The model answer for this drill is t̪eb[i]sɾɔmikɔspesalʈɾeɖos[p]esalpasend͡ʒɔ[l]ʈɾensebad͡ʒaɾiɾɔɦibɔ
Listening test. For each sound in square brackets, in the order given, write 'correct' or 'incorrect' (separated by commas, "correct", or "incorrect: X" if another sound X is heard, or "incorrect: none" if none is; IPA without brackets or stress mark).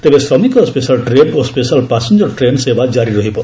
incorrect: e, correct, incorrect: ɾ